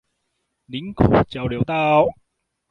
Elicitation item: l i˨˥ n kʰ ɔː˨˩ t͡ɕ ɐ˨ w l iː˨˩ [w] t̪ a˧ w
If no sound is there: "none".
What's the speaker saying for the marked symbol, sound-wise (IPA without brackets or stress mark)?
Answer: w